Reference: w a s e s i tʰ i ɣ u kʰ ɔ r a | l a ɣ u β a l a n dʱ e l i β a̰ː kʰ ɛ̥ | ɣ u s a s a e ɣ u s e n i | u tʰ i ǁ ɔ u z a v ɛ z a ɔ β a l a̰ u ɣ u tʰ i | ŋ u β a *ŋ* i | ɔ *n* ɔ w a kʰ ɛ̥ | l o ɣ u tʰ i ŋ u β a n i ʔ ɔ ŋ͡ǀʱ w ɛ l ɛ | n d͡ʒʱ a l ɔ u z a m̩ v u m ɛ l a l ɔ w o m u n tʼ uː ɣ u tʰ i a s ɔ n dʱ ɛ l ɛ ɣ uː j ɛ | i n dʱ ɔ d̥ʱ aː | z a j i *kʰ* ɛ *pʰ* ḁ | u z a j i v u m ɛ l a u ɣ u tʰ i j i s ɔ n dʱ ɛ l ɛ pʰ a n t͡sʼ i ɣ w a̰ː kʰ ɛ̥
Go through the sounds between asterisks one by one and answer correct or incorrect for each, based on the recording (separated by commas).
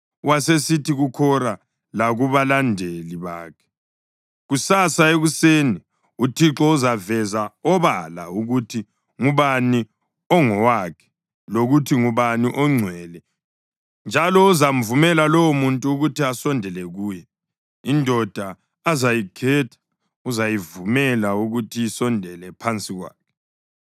incorrect, incorrect, correct, incorrect